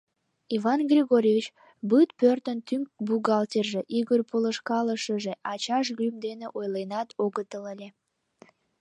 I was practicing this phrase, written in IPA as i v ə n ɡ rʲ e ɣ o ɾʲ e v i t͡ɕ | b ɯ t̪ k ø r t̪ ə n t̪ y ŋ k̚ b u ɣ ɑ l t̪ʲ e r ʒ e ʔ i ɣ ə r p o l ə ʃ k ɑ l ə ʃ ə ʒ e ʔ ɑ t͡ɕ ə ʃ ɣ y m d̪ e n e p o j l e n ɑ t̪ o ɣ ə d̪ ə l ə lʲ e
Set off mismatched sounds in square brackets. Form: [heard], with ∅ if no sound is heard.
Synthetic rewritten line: i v [ɑ] n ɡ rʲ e ɣ o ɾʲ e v i t͡ɕ | b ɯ t̪ [p] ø r t̪ ə n t̪ y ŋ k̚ b u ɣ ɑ l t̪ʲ e r ʒ e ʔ i ɣ ə r p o l ə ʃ k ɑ l ə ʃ ə ʒ e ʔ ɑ t͡ɕ [ɑ] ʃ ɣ y m d̪ e n e [ʔ] o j l e n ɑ t̪ o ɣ ə [t̪] ə l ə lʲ e